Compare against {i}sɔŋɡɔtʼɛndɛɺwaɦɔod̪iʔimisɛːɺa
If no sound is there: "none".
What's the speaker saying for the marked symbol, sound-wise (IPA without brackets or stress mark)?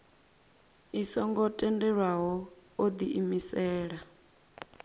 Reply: i